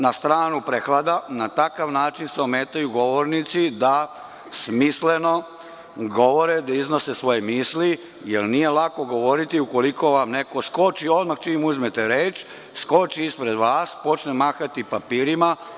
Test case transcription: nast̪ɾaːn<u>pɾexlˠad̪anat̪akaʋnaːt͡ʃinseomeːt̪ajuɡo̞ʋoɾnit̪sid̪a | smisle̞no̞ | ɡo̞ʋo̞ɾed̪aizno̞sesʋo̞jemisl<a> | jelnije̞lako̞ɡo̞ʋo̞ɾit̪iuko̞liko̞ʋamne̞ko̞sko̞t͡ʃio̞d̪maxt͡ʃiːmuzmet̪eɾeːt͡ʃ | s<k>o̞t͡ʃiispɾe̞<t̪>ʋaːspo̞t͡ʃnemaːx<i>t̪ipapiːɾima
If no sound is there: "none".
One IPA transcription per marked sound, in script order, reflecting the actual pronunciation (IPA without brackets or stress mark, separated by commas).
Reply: u, i, k, d̪, a